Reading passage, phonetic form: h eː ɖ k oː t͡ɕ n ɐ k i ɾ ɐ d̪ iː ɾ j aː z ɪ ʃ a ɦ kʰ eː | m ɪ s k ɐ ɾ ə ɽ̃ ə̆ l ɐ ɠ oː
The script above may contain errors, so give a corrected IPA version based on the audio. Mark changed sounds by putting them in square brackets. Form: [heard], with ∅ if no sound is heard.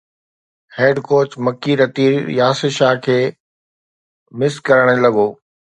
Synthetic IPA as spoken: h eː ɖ k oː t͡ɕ [m] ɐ k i ɾ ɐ [t̪] iː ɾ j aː [s] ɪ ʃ a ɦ kʰ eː | m ɪ s k ɐ ɾ ə ɽ̃ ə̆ l ɐ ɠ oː